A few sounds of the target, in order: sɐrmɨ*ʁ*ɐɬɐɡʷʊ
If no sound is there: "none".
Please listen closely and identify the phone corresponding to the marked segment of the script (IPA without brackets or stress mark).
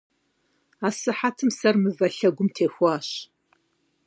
v